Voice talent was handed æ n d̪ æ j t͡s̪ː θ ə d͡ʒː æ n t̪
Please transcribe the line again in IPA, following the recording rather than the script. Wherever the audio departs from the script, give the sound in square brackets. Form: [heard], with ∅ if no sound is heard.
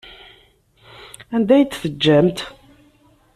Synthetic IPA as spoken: æ n d̪ æ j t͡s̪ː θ ə d͡ʒː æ [m] t̪